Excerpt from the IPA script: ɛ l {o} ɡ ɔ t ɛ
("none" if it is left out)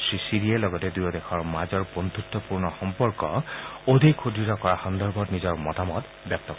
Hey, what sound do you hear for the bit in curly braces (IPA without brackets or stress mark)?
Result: ɔ